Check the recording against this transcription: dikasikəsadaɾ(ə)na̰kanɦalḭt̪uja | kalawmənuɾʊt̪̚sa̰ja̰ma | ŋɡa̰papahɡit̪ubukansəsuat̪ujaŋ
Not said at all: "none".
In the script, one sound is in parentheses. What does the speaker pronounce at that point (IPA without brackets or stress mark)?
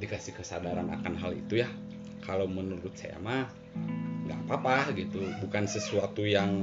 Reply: a